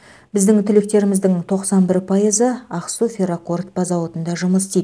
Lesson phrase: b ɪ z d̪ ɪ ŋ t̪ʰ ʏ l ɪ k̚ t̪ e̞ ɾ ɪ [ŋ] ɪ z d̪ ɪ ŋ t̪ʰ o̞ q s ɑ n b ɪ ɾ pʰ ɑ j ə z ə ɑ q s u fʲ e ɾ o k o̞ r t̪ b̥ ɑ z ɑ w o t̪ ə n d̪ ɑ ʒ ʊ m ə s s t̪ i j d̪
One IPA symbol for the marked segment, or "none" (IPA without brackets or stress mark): m